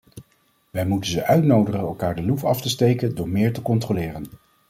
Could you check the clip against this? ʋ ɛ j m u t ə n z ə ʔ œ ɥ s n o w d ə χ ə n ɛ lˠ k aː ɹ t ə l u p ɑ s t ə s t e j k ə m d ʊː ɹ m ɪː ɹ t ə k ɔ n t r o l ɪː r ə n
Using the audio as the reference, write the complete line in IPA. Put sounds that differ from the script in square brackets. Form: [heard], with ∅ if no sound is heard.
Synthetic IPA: ʋ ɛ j m u t ə n z ə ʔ œ ɥ [t] n o w d ə χ ə n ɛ lˠ k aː ɹ [d] ə l u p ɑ [f] t ə s t e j k ə [n] d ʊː ɹ m ɪː ɹ t ə k ɔ n t r o l ɪː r ə n